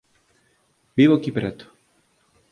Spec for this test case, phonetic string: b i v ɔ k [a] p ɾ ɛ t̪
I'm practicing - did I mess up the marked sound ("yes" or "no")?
yes